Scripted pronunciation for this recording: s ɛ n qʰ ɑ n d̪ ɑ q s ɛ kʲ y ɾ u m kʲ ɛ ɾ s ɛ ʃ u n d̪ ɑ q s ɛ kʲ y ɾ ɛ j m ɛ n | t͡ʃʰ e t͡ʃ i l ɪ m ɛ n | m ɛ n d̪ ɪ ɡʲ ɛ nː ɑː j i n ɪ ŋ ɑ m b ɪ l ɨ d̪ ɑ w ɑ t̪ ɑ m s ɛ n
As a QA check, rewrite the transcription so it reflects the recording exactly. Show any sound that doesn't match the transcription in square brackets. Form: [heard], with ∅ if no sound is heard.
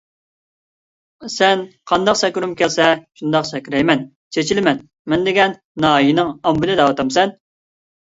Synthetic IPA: s ɛ n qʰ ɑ n d̪ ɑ q s ɛ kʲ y ɾ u m kʲ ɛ [l] s ɛ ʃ u n d̪ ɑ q s ɛ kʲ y ɾ ɛ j m ɛ n | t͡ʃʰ e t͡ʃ i l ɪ m ɛ n | m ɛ n d̪ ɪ ɡʲ ɛ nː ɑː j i n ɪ ŋ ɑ m b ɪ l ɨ d̪ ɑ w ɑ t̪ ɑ m s ɛ n